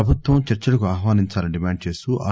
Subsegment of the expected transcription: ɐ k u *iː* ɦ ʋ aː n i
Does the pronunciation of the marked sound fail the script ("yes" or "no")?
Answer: yes